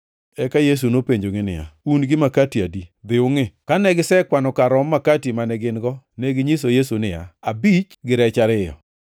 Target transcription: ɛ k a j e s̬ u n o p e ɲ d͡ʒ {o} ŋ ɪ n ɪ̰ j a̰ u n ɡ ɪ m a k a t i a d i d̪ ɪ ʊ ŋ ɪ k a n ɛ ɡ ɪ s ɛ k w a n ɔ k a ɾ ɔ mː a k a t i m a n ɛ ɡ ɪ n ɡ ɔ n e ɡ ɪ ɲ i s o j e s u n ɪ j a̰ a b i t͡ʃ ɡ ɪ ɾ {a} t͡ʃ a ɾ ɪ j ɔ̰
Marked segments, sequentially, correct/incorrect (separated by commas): correct, incorrect